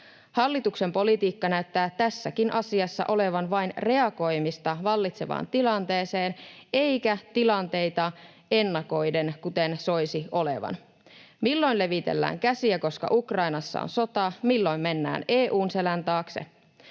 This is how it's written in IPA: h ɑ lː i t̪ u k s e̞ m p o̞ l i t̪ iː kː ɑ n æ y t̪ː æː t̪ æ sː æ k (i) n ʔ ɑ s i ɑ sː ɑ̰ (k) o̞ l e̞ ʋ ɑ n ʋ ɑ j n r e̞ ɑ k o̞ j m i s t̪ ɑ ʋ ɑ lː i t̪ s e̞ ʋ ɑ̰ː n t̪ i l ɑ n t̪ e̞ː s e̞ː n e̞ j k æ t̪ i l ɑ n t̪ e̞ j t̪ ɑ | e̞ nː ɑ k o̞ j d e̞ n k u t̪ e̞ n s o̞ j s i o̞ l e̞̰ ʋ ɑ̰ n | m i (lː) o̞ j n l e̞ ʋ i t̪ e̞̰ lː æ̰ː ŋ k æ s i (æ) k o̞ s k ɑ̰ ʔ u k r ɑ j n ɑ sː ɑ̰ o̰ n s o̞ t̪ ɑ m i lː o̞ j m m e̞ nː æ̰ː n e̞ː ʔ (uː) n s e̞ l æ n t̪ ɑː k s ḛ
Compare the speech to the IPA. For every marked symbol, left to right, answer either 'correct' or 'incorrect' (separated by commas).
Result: correct, incorrect, correct, correct, correct